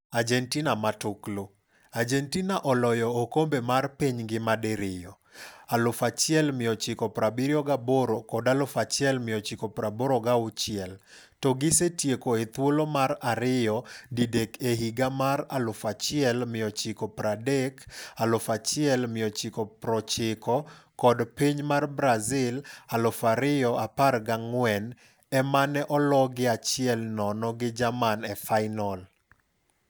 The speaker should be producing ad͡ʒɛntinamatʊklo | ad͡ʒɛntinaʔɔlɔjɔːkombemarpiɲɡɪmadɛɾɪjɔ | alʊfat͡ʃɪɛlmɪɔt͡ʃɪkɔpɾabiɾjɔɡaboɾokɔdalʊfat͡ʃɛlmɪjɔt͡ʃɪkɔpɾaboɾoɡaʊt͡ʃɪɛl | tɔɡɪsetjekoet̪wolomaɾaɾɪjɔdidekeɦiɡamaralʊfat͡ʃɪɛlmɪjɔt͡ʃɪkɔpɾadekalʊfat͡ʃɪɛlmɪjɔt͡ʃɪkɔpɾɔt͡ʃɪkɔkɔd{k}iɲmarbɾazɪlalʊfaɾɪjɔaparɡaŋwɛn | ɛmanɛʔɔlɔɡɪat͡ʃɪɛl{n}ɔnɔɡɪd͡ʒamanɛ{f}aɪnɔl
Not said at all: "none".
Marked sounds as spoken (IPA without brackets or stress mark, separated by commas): p, n, f